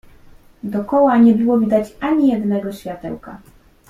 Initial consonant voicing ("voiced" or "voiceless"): voiced